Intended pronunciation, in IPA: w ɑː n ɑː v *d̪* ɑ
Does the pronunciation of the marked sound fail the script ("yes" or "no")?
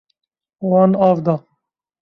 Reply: no